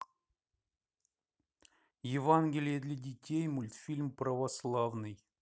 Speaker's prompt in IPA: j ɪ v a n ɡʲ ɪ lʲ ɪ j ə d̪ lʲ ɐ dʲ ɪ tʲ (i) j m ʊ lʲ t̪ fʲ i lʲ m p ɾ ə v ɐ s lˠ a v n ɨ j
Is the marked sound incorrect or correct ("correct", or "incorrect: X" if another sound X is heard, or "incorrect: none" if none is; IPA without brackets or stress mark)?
incorrect: e